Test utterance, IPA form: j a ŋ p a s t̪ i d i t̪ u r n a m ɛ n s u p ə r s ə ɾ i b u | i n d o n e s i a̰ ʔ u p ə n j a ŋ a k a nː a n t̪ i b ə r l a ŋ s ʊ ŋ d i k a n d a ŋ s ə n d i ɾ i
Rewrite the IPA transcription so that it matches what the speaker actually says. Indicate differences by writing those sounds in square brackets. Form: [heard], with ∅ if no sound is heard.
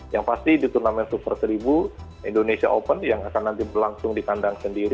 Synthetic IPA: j a ŋ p a s t̪ i d i t̪ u r n a m ɛ n s u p ə r s ə ɾ i b u | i n d o n e s i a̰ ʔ [o] p ə n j a ŋ a k a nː a n t̪ i b ə r l a ŋ s ʊ ŋ d i k a n d a ŋ s ə n d i ɾ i